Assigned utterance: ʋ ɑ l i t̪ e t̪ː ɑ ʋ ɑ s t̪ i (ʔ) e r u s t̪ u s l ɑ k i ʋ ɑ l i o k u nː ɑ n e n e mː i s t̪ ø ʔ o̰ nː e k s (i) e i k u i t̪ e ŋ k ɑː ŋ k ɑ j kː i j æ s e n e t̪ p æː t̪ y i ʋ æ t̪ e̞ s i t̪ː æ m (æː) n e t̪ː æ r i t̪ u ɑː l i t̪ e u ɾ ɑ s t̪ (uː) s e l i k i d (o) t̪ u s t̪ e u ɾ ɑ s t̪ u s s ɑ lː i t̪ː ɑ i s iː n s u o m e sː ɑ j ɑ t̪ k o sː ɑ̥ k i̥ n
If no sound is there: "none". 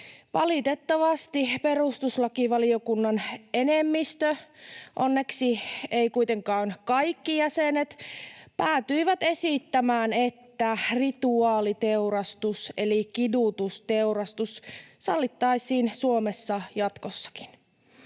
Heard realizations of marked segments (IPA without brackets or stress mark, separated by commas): p, i, æː, u, u